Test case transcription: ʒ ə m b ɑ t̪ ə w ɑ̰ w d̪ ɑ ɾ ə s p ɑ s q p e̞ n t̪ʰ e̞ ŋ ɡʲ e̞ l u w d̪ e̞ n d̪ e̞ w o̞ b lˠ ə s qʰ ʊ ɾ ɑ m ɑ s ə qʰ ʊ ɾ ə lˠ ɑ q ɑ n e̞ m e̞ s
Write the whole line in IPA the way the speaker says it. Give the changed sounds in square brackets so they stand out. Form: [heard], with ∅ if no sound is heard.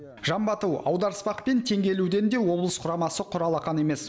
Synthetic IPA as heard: ʒ [ɑ] m b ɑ t̪ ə w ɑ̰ w d̪ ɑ ɾ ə s p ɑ [∅] q p e̞ n t̪ʰ e̞ ŋ ɡʲ e̞ l u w d̪ e̞ n d̪ e̞ w o̞ b lˠ ə s qʰ ʊ ɾ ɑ m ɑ s ə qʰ ʊ ɾ [ɑ] lˠ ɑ q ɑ n e̞ m e̞ s